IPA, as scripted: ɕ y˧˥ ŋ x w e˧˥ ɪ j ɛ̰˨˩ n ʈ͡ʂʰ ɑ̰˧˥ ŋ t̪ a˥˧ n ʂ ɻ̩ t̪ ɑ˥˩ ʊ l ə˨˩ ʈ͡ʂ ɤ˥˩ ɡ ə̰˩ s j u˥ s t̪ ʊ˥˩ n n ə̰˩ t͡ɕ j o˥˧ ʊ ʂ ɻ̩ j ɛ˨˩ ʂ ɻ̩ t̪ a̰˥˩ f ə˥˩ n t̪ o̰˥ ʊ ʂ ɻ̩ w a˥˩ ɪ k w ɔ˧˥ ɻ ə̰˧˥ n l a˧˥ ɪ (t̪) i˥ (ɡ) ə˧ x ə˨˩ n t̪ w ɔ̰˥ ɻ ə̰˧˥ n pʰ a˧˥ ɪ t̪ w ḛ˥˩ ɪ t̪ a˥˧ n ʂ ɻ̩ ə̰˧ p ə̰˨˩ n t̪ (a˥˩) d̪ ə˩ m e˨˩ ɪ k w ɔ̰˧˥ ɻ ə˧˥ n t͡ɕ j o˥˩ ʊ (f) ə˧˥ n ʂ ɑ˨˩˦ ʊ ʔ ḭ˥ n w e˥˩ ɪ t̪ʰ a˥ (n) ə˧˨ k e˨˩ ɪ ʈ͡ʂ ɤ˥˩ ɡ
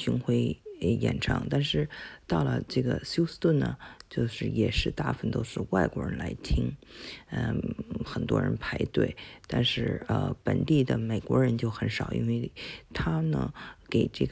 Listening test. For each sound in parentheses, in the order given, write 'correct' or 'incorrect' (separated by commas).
incorrect, incorrect, incorrect, incorrect, correct